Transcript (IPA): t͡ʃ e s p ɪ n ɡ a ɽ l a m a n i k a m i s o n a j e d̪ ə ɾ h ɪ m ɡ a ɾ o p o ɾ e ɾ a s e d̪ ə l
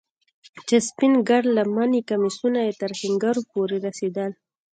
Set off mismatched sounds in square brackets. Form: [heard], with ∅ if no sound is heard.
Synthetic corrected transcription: t͡ʃ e s p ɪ n ɡ a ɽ l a m a n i k a m i s [u] n a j e [t̪] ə ɾ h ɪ [ŋ] ɡ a ɾ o p o ɾ e ɾ a s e d̪ ə l